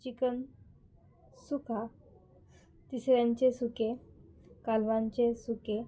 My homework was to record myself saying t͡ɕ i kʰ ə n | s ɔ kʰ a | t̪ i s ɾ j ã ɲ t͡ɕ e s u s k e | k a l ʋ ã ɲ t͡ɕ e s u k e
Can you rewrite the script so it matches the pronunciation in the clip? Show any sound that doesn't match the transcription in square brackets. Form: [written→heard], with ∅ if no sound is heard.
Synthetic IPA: t͡ɕ i [kʰ→k] ə n | s [ɔ→u] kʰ a | t̪ i s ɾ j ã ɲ t͡ɕ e s u [s→∅] k e | k a l ʋ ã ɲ t͡ɕ e s u k e